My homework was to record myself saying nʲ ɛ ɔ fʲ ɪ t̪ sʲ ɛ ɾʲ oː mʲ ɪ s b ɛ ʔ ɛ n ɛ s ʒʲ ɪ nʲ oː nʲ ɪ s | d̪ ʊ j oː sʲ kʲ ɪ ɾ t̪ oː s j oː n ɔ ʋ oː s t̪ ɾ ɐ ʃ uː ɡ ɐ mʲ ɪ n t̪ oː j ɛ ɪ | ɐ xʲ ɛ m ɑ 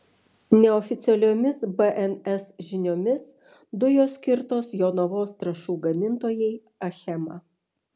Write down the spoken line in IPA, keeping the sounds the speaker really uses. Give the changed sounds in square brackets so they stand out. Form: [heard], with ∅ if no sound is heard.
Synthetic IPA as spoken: nʲ ɛ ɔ fʲ ɪ t̪ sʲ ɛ [lʲ] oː mʲ ɪ s b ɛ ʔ ɛ n ɛ s ʒʲ ɪ nʲ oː [mʲ] ɪ s | d̪ ʊ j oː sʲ kʲ ɪ ɾ t̪ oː s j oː n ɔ ʋ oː s t̪ ɾ ɐ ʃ uː ɡ ɐ mʲ ɪ n t̪ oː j ɛ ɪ | ɐ xʲ ɛ m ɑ